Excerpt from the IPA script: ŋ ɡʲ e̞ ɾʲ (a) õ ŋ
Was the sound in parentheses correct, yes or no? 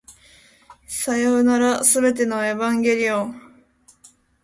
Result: no